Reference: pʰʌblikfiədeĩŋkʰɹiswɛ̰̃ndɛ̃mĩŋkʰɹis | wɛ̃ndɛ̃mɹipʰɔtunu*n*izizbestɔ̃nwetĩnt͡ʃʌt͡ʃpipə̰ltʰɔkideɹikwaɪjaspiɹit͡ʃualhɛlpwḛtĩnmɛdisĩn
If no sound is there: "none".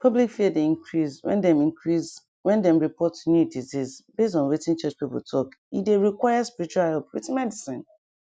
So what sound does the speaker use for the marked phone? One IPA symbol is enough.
d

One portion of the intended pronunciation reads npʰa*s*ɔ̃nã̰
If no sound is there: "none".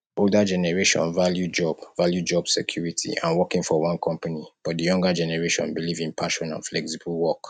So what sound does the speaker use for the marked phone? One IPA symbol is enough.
ʃ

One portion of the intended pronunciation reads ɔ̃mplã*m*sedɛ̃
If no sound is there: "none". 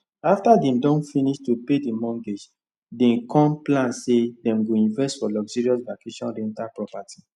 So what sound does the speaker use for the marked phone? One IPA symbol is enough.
n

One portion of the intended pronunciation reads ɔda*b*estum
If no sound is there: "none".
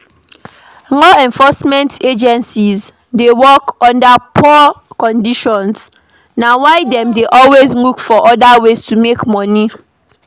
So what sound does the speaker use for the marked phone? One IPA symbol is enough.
w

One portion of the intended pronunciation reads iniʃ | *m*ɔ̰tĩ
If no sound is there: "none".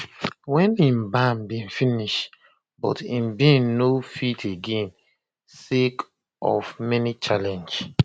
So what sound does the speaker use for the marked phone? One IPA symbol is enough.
b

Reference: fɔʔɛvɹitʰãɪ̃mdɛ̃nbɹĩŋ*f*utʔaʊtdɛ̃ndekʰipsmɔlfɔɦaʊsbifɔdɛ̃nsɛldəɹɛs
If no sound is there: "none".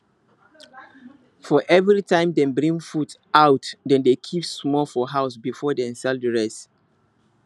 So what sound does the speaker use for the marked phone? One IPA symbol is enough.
f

